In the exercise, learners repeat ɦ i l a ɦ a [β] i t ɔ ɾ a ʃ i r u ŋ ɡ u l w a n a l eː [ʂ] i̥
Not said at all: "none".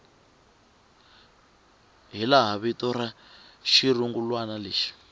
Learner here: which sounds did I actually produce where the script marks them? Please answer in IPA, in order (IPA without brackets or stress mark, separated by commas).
β, ʃ